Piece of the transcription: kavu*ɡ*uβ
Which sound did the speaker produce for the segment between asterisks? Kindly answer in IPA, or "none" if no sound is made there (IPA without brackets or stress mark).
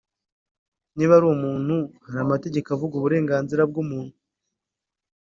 ɡ